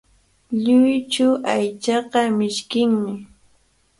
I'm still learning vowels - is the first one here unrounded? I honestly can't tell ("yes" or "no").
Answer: no